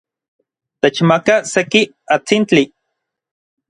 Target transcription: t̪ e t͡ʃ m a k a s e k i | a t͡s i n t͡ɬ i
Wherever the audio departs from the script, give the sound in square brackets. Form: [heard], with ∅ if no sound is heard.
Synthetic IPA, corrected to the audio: t̪ e t͡ʃ m a k a s e k i | a t͡s i n t͡ɬ i